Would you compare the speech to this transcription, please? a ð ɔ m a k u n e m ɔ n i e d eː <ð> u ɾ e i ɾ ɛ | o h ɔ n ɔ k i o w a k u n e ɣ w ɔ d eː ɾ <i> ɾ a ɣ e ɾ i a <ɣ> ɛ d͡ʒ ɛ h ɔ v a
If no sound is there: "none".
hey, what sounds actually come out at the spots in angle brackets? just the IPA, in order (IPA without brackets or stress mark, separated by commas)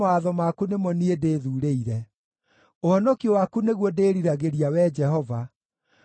ð, i, w